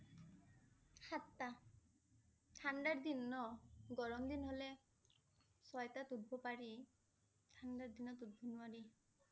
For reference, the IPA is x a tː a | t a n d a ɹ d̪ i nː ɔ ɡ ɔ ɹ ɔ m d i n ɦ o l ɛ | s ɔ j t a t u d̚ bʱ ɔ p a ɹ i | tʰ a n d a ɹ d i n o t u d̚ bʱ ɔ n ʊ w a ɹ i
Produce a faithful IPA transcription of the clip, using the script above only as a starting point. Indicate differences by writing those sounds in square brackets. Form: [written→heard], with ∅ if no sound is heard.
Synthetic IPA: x a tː a | [t→tʰ] a n d a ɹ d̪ i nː ɔ ɡ ɔ ɹ ɔ m d i n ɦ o l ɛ | s ɔ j t a t u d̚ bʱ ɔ p a ɹ i | tʰ a n d a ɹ d i n [o→ɔ] t u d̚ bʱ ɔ n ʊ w a ɹ i

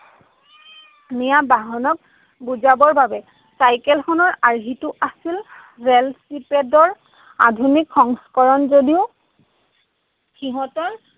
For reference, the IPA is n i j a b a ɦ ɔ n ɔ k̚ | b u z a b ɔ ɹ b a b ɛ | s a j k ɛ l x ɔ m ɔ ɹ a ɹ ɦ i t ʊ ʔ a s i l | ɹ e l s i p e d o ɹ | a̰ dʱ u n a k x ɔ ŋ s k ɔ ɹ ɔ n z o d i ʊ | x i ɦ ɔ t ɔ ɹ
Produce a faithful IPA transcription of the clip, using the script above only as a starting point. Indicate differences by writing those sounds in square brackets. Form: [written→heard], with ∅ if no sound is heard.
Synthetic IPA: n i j a b a ɦ ɔ n ɔ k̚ | b u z a b ɔ ɹ b a b ɛ | s a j k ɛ l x ɔ [m→n] ɔ ɹ a ɹ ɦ i t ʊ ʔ a s i l | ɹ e l s i p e d [o→ɔ] ɹ | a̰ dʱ u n [a→i] k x ɔ ŋ s k ɔ ɹ ɔ n z o d i ʊ | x i ɦ ɔ t ɔ ɹ

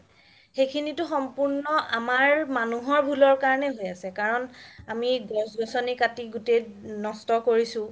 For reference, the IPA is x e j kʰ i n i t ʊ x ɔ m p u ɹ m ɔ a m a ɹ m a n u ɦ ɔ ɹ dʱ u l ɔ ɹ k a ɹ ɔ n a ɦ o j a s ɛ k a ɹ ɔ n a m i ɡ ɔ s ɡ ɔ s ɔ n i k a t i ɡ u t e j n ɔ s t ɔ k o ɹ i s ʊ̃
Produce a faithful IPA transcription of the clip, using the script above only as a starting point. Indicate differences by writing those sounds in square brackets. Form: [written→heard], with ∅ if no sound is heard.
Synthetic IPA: x e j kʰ i n i t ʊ x ɔ m p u ɹ [m→n] ɔ a m a ɹ m a n u ɦ ɔ ɹ [dʱ→bʱ] u l ɔ ɹ k a ɹ ɔ n [a→ɛ] ɦ o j a s ɛ k a ɹ ɔ n a m i ɡ ɔ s ɡ ɔ s ɔ n i k a t i ɡ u t e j n ɔ s t ɔ k o ɹ i s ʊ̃

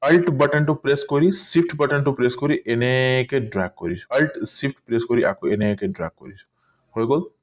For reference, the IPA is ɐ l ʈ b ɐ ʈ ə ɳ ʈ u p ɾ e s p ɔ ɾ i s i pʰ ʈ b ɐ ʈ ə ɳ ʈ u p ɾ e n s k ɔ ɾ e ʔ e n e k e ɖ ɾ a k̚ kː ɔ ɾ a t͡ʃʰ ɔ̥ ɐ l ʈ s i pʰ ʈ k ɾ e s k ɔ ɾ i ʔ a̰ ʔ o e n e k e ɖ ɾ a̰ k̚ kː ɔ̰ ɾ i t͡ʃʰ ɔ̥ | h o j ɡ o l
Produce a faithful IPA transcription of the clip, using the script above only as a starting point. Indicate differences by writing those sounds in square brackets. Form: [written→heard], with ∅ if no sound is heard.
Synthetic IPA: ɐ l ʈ b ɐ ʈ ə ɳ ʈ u p ɾ e s [p→k] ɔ ɾ i s i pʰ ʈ b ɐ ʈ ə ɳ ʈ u p ɾ e [n→∅] s k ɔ ɾ [e→i] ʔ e n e k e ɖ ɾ a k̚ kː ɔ ɾ [a→i] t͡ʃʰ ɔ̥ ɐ l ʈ s i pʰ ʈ [k→p] ɾ e s k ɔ ɾ i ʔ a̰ [ʔ→k] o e n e k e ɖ ɾ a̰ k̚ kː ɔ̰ ɾ i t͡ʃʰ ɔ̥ | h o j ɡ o l

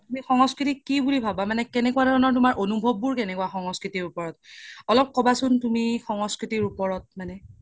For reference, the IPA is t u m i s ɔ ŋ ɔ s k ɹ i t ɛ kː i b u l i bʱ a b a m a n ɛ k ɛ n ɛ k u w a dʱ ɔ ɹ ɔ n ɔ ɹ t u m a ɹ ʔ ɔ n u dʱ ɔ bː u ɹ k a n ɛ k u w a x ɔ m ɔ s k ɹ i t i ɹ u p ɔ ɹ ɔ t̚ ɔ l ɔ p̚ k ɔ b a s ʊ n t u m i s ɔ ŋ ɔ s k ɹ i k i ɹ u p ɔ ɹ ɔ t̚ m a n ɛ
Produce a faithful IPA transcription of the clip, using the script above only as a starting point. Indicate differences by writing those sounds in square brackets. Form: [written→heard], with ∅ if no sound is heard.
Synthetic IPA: t u m i [s→x] ɔ ŋ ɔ s k ɹ i t [ɛ→i] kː i b u l i bʱ a b a m a n ɛ k ɛ n ɛ k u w a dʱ ɔ ɹ ɔ n ɔ ɹ t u m a ɹ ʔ [ɔ→o] n u [dʱ→bʱ] ɔ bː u ɹ k [a→ɛ] n ɛ k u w a x ɔ [m→ŋ] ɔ s k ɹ i t i ɹ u p ɔ ɹ ɔ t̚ ɔ l ɔ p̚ k ɔ b a s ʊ n t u m i [s→x] ɔ ŋ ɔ s k ɹ i [k→t] i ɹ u p ɔ ɹ ɔ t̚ m a n ɛ

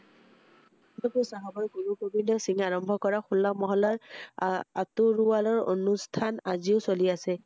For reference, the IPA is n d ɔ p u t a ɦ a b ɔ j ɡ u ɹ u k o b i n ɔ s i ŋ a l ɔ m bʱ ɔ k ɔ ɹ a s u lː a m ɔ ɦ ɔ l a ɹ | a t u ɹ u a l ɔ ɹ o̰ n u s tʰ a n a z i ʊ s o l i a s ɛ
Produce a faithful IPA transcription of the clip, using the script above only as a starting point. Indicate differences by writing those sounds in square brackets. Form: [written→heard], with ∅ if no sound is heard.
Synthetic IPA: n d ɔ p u [t→s] a ɦ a b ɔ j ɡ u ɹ u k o b i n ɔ s i ŋ a [l→ɹ] ɔ m bʱ ɔ k ɔ ɹ a [s→x] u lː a m ɔ ɦ ɔ l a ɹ | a t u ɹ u a l ɔ ɹ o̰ n u s tʰ a n a z i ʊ s o l i a s ɛ

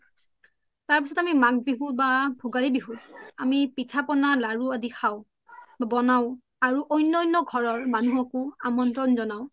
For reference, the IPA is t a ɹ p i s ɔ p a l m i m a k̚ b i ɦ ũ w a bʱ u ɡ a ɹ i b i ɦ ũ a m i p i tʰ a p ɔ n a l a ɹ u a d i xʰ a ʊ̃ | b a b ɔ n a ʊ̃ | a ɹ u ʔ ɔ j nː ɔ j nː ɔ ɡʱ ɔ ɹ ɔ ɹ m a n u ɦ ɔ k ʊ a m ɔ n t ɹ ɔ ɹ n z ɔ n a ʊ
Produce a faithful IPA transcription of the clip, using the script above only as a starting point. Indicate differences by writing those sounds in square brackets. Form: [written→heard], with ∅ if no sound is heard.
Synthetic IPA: t a ɹ p i s ɔ [p→t] a [l→∅] m i m a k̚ b i ɦ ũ [w→b] a bʱ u ɡ a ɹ i b i ɦ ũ a m i p i tʰ a p ɔ n a l a ɹ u a d i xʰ a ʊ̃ | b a b ɔ n a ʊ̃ | a ɹ u ʔ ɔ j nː ɔ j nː ɔ ɡʱ ɔ ɹ ɔ ɹ m a n u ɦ ɔ k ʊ a m ɔ n t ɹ ɔ [ɹ→∅] n z ɔ n a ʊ

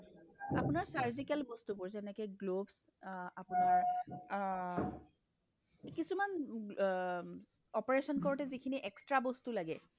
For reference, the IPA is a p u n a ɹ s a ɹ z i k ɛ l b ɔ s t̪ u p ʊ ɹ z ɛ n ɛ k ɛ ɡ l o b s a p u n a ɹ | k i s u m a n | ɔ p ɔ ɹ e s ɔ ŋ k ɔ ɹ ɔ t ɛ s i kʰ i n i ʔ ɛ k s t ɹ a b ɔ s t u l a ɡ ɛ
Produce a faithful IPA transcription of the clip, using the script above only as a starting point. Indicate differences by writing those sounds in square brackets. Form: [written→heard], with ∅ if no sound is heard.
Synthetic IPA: a p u n a ɹ s a ɹ z i k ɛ l b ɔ s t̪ u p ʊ ɹ z ɛ n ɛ k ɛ ɡ l o b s a p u n a ɹ | k i s u m a n | ɔ p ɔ ɹ e s ɔ [ŋ→n] k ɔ ɹ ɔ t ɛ [s→z] i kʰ i n i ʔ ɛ k s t ɹ a b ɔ s t u l a ɡ ɛ

